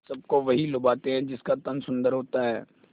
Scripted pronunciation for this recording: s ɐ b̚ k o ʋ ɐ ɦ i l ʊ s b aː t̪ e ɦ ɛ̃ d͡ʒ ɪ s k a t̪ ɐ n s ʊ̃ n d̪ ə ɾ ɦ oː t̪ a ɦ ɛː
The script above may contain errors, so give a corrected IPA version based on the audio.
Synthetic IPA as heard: s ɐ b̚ k o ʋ ɐ ɦ i l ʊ b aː t̪ e ɦ ɛ̃ d͡ʒ ɪ s k a t̪ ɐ n s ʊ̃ n d̪ ə ɾ ɦ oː t̪ a ɦ ɛː